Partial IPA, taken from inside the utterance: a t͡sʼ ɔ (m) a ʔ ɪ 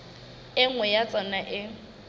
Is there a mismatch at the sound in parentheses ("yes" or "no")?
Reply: yes